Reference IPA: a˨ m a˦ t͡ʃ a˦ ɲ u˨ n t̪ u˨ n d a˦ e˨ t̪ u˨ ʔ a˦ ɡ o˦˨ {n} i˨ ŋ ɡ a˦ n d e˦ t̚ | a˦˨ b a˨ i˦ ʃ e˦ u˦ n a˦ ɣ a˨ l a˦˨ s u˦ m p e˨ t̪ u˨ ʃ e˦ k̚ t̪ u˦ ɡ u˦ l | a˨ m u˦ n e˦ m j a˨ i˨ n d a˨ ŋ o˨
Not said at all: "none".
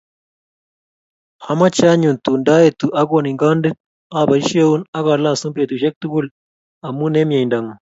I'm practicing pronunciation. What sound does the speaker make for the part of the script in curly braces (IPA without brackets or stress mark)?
n